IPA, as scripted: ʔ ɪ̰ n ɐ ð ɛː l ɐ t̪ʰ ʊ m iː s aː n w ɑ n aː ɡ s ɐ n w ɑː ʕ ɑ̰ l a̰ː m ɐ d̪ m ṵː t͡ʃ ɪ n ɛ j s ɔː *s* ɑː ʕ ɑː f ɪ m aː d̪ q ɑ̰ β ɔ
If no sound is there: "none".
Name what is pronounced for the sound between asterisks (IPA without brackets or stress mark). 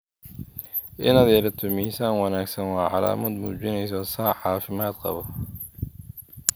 s